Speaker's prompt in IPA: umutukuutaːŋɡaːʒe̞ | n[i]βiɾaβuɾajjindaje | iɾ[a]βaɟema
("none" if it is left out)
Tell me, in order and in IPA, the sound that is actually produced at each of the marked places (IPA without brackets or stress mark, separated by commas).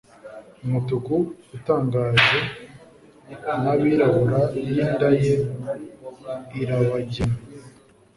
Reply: a, a